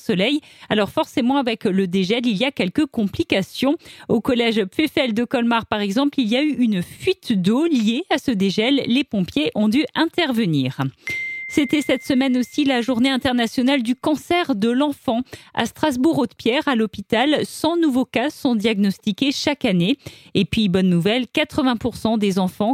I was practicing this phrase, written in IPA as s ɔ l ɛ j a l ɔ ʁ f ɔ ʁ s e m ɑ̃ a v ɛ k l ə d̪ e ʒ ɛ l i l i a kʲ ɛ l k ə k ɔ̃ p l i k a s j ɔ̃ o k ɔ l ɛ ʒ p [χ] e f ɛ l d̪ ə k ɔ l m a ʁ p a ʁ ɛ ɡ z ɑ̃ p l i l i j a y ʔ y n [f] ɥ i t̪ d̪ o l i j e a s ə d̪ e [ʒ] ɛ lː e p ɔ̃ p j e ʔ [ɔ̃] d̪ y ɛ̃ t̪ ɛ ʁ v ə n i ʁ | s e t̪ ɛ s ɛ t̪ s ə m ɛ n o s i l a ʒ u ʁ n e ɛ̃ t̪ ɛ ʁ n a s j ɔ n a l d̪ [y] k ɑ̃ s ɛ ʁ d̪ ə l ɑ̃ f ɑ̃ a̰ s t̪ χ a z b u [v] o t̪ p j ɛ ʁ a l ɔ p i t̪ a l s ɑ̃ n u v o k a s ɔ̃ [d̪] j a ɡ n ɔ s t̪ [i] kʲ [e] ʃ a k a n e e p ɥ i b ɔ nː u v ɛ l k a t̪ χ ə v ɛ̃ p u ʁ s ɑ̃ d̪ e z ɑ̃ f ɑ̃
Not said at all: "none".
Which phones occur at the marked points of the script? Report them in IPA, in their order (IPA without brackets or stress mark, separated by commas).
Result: f, f, ʒ, ɔ̃, y, ʁ, d̪, i, e